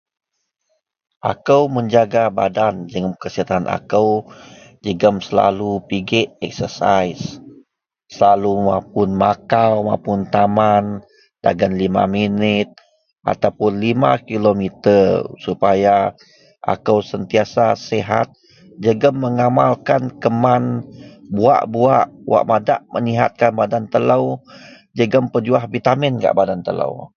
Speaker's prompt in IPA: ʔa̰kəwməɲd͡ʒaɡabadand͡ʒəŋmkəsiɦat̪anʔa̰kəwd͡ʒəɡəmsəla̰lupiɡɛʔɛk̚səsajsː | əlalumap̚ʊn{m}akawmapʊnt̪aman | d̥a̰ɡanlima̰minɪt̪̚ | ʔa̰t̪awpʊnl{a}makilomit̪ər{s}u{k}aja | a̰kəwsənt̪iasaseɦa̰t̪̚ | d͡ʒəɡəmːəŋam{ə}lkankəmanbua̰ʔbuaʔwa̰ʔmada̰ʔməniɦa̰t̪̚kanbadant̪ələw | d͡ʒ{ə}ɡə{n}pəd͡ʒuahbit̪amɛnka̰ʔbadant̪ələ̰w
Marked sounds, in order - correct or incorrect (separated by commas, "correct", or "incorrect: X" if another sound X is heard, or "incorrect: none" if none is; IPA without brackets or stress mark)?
correct, incorrect: i, correct, incorrect: p, incorrect: a, correct, incorrect: m